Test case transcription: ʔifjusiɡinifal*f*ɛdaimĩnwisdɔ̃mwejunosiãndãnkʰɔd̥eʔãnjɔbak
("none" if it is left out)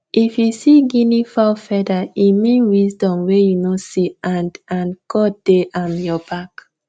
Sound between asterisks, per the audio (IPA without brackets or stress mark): f